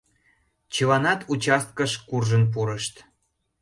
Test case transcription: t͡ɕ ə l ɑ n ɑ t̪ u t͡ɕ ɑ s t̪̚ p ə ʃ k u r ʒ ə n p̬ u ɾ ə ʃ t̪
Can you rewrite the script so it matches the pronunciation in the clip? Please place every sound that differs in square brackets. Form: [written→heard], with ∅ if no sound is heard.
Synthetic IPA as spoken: t͡ɕ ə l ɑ n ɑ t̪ u t͡ɕ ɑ s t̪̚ [p→k] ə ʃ k u r ʒ ə n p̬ u ɾ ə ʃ t̪